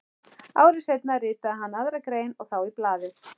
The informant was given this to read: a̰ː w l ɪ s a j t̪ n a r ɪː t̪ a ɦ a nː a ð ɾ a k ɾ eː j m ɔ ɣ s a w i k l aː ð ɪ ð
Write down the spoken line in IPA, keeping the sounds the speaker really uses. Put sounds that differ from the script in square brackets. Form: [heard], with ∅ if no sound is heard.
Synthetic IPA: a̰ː w [ɾ] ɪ s [e] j t̪ n a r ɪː t̪ a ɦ a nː a ð ɾ a k ɾ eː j [n] ɔ ɣ [θ] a w i [p] l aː ð ɪ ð